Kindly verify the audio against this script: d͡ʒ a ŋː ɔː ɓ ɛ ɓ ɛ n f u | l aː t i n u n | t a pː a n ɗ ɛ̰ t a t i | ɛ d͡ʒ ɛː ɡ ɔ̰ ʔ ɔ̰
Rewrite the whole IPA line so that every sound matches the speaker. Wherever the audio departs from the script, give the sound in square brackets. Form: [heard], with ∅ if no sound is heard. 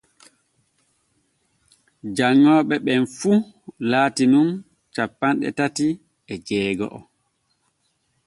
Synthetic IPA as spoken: d͡ʒ a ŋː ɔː ɓ ɛ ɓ ɛ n f u | l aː t i n u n | [t͡ʃ] a pː a n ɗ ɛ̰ t a t i | ɛ d͡ʒ ɛː ɡ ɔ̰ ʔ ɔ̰